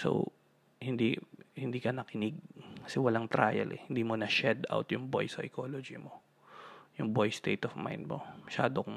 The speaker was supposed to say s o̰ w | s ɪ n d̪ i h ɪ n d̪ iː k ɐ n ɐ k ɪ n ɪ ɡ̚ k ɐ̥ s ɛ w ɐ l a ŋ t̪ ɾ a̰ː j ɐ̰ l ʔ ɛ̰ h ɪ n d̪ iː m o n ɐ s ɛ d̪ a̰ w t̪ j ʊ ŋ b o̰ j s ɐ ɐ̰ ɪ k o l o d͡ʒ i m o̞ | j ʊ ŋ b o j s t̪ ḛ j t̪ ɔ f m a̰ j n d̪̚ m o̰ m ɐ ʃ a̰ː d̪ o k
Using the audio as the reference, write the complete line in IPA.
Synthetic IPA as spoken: s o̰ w | h ɪ n d̪ i h ɪ n d̪ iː k ɐ n ɐ k ɪ n ɪ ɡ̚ k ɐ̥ s ɛ w ɐ l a ŋ t̪ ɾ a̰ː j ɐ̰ l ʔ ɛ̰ h ɪ n d̪ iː m o n ɐ ʃ ɛ d̪ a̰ w t̪ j ʊ ŋ b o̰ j s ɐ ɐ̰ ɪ k o l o d͡ʒ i m o̞ | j ʊ ŋ b o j s t̪ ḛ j t̪ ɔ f m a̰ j n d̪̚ m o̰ m ɐ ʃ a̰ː d̪ o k